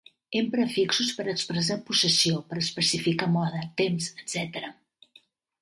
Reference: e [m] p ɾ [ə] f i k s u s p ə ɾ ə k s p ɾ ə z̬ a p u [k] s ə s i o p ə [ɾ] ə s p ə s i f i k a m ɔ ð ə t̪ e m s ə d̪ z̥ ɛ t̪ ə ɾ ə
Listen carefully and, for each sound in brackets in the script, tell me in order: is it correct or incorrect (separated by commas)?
correct, correct, incorrect, correct